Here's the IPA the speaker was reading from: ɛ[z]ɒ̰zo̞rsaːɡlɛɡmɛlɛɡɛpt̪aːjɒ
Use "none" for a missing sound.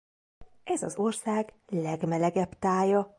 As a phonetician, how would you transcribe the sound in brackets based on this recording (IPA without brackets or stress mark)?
z